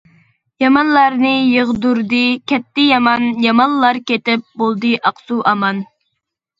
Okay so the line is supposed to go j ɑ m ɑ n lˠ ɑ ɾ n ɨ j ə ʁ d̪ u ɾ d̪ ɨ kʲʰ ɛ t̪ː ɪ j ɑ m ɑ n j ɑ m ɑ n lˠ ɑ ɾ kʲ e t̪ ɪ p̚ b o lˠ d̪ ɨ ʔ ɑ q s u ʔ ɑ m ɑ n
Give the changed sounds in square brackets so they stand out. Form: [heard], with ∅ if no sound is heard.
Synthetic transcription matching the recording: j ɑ m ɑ n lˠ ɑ ɾ n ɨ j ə ʁ d̪ u ɾ d̪ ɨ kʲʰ ɛ t̪ː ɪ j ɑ m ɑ n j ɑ m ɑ n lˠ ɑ ɾ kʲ e t̪ ɪ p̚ b o lˠ d̪ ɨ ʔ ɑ q s u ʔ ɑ m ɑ n